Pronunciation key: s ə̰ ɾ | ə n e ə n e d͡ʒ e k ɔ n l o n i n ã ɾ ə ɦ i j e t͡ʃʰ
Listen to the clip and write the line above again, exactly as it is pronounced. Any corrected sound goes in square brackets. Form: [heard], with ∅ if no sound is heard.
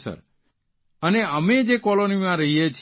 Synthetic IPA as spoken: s ə̰ ɾ | ə n e ə [m] e d͡ʒ e k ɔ [∅] l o n i [m] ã ɾ ə ɦ i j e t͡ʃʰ